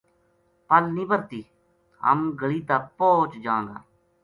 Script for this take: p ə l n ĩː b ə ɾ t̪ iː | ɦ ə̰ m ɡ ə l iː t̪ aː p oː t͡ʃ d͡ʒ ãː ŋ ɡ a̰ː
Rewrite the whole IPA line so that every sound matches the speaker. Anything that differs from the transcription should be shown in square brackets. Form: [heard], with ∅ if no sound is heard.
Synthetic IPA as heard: p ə l n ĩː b ə ɾ t̪ iː | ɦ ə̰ m ɡ ə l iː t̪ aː p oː t͡ʃ d͡ʒ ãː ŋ ɡ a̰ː